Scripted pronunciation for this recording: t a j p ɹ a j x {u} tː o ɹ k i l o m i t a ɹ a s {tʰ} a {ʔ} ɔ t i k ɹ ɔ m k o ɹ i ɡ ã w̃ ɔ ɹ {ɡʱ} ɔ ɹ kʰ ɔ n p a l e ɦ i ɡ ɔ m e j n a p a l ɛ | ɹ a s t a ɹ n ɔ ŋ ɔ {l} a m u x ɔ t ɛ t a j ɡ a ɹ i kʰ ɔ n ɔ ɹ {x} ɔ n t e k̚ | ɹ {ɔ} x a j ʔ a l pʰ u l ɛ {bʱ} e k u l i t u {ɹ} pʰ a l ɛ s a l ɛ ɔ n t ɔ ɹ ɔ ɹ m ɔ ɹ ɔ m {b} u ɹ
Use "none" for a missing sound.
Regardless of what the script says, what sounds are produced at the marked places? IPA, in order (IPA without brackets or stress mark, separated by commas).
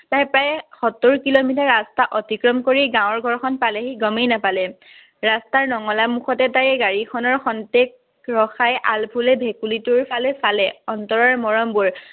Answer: ɔ, t, ʔ, ɡʱ, l, x, ɔ, bʱ, ɹ, b